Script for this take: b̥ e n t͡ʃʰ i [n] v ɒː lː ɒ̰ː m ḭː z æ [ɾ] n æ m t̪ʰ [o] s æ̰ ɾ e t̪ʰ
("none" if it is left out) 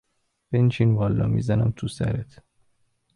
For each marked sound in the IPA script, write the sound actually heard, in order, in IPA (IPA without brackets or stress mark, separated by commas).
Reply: n, none, u